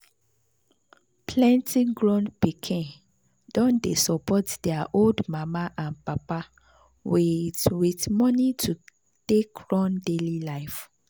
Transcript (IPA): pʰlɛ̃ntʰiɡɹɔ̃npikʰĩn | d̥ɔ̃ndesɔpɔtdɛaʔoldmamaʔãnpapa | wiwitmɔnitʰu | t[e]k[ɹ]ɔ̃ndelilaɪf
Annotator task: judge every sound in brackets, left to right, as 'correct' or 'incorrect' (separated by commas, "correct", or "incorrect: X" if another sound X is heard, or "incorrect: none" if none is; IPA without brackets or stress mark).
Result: correct, correct